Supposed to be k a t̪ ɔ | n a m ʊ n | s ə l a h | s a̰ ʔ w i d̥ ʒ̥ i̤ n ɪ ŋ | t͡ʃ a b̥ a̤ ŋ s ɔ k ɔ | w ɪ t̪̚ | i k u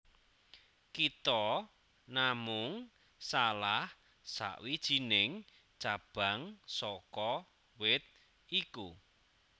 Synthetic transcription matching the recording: k i t̪ ɔ | n a m ʊ ŋ | s a l a h | s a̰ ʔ w i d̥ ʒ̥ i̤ n ɪ ŋ | t͡ʃ a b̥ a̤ ŋ s ɔ k ɔ | w ɪ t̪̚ | i k u